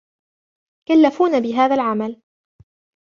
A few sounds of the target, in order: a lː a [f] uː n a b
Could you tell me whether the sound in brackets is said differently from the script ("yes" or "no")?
no